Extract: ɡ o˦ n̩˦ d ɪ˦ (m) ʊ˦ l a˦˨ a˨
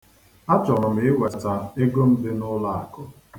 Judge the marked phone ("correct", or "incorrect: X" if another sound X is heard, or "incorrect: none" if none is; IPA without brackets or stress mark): incorrect: n